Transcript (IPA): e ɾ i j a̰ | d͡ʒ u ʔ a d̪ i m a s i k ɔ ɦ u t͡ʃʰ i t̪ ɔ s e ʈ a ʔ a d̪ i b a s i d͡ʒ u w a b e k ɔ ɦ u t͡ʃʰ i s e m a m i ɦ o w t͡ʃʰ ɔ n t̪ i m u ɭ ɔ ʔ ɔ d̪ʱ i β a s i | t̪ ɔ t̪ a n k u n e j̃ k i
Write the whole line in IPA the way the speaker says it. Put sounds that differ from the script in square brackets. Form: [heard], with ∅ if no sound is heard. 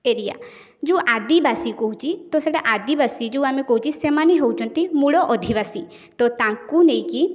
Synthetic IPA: e ɾ i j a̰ | d͡ʒ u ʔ a d̪ i [b] a s i k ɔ ɦ u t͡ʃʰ i t̪ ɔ s e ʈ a ʔ a d̪ i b a s i d͡ʒ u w a [m] e k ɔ ɦ u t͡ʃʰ i s e m a [n] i ɦ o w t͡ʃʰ ɔ n t̪ i m u ɭ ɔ ʔ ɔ d̪ʱ i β a s i | t̪ ɔ t̪ a [ŋ] k u n e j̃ k i